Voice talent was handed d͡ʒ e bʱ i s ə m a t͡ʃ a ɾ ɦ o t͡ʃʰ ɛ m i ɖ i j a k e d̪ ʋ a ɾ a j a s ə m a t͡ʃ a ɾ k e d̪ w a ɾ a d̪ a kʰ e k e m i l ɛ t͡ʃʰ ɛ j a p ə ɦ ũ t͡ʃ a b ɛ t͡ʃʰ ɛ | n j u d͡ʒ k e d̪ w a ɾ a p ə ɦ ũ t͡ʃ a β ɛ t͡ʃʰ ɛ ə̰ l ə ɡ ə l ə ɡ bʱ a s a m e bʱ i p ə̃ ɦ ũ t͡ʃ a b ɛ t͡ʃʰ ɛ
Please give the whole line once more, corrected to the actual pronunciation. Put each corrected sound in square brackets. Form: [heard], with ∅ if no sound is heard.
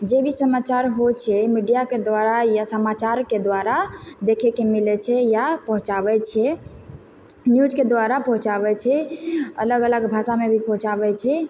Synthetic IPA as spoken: d͡ʒ e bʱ i s ə m a t͡ʃ a ɾ ɦ o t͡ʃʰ ɛ m i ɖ i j a k e d̪ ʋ a ɾ a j a s ə m a t͡ʃ a ɾ k e d̪ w a ɾ a d̪ [e] kʰ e k e m i l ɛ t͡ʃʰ ɛ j a p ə ɦ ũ t͡ʃ a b ɛ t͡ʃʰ ɛ | n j u d͡ʒ k e d̪ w a ɾ a p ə ɦ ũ t͡ʃ a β ɛ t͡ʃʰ ɛ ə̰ l ə ɡ ə l ə ɡ bʱ a s a m e bʱ i p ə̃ ɦ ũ t͡ʃ a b ɛ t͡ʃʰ ɛ